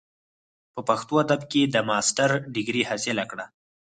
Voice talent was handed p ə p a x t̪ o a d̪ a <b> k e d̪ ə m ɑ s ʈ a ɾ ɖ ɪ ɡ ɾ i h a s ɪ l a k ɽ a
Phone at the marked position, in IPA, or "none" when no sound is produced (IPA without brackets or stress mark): b